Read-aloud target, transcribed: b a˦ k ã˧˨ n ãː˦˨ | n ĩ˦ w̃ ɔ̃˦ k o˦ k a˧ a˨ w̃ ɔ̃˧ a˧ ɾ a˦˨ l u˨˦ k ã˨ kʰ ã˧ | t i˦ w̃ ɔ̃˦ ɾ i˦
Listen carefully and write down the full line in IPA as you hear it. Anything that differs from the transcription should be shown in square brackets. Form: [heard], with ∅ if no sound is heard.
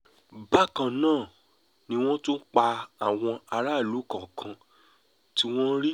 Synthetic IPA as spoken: b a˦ k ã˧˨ n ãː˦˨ | n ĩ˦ w̃ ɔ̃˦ [t] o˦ [k͡p] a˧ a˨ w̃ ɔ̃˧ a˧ ɾ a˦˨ l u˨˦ k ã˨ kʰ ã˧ | t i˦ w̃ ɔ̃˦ ɾ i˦